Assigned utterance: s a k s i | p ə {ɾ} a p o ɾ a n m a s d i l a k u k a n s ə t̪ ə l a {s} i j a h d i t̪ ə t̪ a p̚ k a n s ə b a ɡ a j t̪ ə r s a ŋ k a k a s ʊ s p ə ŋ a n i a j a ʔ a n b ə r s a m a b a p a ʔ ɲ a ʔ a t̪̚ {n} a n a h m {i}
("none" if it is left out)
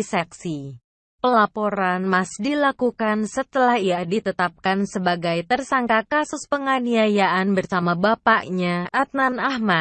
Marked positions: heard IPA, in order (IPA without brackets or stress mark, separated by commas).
l, h, n, a